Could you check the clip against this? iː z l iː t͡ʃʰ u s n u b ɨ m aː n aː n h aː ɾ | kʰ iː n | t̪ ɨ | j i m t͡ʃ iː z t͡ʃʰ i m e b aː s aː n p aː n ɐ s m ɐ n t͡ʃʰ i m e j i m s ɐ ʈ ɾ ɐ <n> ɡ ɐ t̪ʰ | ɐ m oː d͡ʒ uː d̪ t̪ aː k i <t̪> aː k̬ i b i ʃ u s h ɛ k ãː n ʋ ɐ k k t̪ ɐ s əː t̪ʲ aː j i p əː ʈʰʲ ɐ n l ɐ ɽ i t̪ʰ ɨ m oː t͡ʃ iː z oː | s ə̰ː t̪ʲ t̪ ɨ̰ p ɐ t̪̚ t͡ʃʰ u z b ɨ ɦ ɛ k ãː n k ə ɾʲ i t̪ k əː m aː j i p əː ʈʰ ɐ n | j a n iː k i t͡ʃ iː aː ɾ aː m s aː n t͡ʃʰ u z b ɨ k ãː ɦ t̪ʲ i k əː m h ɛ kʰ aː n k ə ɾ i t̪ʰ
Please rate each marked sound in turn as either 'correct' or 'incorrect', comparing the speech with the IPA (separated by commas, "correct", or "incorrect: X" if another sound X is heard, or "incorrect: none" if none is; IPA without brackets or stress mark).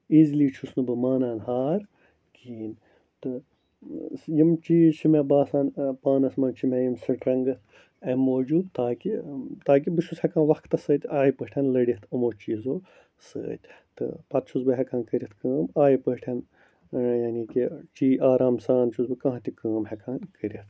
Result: incorrect: ŋ, correct